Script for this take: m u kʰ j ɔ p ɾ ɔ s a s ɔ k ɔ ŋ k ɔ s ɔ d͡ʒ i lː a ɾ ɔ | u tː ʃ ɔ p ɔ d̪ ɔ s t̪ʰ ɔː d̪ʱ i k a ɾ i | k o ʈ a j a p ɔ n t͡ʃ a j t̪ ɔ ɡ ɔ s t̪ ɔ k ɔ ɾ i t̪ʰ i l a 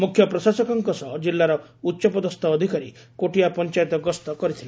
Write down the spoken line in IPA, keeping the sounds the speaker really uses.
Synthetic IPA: m u kʰ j ɔ p ɾ ɔ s a s ɔ k ɔ ŋ k ɔ s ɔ d͡ʒ i lː a ɾ ɔ | u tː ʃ ɔ p ɔ d̪ ɔ s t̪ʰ ɔː d̪ʱ i k a ɾ i | k o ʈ i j a p ɔ n t͡ʃ a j t̪ ɔ ɡ ɔ s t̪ ɔ k ɔ ɾ i t̪ʰ i l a